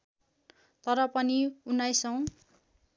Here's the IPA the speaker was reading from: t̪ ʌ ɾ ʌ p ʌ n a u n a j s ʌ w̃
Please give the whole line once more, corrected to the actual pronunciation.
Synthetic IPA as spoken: t̪ ʌ ɾ ʌ p ʌ n i u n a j s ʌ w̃